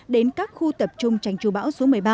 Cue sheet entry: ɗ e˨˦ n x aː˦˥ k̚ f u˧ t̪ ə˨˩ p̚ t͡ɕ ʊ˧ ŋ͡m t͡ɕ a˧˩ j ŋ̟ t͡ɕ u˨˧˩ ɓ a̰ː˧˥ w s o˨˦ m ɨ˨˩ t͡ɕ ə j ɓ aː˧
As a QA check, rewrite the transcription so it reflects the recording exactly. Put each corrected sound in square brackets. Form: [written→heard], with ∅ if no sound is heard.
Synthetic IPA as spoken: ɗ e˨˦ n [x→k] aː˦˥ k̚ [f→x] u˧ t̪ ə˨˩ p̚ t͡ɕ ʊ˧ ŋ͡m t͡ɕ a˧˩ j ŋ̟ t͡ɕ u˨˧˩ ɓ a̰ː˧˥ w s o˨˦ m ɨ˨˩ [t͡ɕ→∅] ə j ɓ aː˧